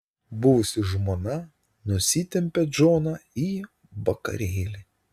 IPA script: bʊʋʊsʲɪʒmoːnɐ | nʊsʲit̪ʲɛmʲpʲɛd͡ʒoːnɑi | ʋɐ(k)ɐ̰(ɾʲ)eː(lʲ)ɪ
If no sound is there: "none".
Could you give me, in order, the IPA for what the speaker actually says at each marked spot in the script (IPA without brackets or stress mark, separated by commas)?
k, ɾʲ, lʲ